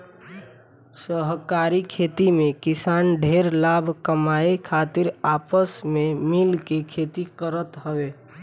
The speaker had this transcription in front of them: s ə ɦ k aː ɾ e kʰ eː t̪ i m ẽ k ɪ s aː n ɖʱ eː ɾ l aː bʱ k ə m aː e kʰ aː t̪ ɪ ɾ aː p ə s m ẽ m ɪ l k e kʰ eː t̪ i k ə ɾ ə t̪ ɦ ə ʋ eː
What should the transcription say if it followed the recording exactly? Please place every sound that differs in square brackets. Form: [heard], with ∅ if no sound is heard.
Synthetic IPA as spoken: s ə ɦ k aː ɾ [i] kʰ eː t̪ i m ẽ k ɪ s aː n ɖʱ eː ɾ l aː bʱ k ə m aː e kʰ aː t̪ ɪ ɾ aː p ə s m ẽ m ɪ l k e kʰ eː t̪ i k ə ɾ ə t̪ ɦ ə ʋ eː